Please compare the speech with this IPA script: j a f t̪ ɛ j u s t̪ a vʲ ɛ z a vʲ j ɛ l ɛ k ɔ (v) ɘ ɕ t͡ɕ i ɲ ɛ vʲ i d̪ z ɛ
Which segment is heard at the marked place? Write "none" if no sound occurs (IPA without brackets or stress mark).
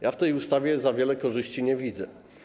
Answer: ʐ